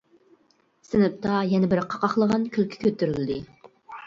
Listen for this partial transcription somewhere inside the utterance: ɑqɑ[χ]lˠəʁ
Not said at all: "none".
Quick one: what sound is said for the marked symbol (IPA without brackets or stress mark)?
χ